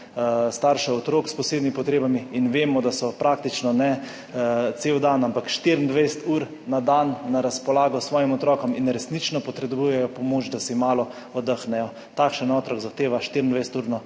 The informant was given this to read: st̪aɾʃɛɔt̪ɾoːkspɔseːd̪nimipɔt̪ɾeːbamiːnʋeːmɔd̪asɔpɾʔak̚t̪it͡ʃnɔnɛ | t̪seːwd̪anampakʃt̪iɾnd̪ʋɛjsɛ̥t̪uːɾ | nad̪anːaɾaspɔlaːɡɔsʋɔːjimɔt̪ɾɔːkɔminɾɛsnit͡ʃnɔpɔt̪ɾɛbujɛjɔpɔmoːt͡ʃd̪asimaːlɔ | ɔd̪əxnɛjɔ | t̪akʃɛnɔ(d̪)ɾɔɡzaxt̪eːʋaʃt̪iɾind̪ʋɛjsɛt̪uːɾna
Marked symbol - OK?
no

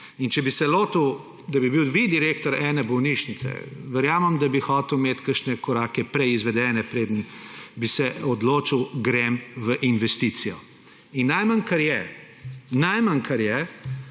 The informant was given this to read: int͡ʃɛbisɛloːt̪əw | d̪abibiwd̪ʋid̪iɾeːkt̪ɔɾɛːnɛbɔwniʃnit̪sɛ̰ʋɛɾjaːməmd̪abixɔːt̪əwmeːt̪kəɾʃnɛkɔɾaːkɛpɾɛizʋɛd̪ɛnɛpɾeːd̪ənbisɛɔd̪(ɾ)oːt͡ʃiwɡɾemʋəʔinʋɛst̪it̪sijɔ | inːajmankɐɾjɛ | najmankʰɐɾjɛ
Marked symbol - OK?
no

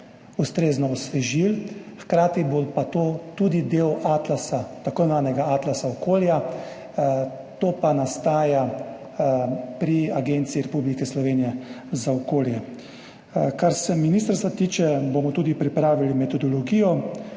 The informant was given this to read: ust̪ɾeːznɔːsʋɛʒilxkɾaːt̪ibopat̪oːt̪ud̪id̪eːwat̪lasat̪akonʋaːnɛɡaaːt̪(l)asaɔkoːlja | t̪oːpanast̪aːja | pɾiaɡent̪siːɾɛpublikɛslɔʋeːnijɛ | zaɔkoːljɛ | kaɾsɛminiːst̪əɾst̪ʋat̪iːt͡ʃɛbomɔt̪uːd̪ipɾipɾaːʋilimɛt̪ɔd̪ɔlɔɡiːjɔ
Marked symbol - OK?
yes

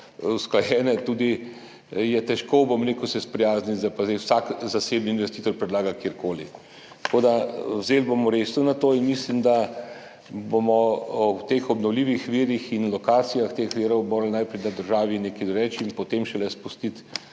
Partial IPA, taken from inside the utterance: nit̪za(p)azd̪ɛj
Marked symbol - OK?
yes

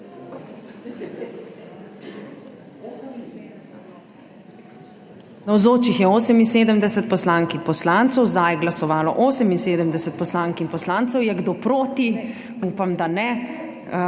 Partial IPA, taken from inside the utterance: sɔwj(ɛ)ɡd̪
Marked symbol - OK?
yes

